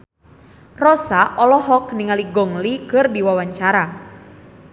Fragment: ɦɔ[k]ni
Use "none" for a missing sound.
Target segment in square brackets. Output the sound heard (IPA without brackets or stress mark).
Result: k